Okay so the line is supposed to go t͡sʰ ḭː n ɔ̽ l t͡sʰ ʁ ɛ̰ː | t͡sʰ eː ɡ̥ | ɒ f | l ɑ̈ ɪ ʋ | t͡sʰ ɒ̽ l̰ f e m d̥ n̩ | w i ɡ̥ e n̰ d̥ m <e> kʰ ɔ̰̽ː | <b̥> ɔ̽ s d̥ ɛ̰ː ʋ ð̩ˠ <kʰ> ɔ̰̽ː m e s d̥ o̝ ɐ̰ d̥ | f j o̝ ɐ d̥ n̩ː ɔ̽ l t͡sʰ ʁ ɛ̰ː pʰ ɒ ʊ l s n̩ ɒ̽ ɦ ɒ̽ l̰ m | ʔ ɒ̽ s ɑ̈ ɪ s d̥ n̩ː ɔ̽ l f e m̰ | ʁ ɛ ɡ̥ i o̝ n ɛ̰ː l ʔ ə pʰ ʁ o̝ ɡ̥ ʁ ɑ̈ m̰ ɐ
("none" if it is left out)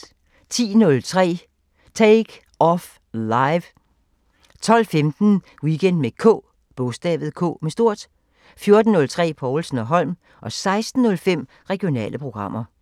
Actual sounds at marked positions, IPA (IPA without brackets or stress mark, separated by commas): e, b̥, kʰ